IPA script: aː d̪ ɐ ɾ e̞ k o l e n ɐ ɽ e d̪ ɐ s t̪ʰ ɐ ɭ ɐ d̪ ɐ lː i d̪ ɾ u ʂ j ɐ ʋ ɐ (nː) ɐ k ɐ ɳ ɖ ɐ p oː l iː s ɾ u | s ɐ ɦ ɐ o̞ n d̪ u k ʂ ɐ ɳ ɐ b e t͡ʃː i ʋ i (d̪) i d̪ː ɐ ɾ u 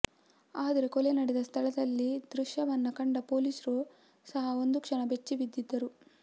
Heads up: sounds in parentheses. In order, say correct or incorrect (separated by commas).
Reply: correct, incorrect